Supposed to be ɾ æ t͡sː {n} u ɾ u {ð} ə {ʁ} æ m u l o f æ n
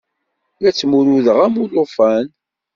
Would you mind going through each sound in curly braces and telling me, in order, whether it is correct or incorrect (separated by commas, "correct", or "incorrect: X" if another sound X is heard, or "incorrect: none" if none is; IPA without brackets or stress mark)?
incorrect: m, correct, correct